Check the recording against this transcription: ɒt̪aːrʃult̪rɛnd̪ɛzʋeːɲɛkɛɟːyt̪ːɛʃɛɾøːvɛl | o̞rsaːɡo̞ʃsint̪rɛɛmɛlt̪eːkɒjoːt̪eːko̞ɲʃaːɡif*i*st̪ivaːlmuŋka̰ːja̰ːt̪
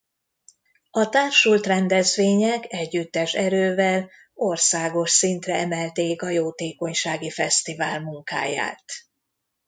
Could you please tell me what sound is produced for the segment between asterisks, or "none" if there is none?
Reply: ɛ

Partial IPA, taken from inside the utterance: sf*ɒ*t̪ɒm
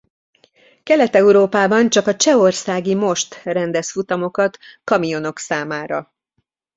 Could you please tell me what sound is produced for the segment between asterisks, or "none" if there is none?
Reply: u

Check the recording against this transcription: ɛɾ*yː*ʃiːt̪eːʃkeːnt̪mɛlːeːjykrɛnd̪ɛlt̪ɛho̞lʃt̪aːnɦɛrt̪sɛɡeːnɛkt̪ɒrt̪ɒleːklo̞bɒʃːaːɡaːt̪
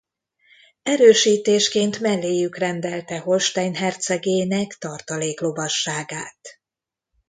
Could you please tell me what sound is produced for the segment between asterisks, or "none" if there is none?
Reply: øː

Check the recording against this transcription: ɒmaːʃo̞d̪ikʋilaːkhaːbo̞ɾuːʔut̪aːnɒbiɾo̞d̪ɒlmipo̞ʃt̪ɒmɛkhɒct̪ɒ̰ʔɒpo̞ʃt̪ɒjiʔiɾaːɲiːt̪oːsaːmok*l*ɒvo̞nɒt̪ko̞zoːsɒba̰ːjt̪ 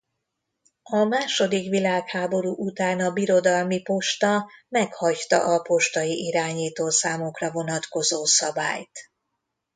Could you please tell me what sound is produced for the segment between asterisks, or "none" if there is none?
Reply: r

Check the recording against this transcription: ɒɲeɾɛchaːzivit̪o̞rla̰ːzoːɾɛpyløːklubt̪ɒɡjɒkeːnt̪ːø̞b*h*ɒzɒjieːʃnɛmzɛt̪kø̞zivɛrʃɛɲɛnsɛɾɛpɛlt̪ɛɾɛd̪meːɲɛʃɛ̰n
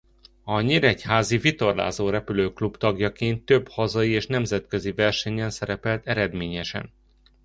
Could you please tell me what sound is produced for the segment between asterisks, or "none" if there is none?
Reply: h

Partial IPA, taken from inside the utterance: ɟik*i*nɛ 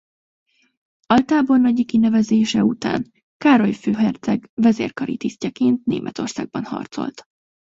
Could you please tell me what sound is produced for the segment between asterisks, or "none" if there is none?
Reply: i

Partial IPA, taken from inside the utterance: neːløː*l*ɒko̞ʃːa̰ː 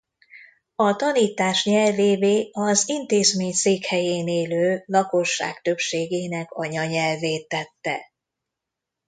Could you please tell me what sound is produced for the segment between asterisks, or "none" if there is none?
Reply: l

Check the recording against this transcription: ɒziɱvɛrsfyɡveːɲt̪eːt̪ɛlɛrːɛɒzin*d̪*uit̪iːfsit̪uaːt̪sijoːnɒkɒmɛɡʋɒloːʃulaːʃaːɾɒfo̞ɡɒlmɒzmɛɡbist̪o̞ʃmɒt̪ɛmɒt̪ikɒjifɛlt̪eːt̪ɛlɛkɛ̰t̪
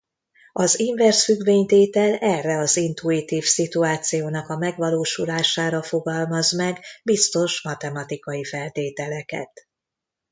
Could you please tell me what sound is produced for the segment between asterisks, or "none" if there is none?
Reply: t̪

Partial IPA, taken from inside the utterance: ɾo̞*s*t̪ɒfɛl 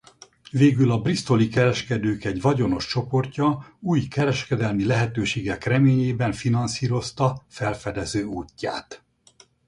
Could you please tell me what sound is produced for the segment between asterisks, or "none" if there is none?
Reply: s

